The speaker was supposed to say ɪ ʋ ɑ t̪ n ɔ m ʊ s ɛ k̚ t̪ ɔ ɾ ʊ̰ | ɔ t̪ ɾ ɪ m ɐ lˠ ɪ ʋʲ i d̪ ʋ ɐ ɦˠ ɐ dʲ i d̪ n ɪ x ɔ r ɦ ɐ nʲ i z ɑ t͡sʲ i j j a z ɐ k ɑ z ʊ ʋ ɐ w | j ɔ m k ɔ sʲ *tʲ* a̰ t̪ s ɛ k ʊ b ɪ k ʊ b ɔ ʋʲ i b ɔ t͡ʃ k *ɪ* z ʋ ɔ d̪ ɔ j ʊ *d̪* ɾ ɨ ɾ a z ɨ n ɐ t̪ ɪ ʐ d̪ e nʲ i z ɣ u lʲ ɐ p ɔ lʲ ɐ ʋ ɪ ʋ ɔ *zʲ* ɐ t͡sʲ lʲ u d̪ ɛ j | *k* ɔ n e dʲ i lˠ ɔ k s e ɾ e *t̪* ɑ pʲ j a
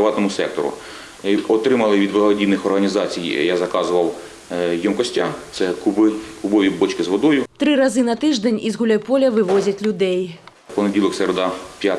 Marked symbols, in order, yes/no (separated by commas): yes, yes, no, yes, no, no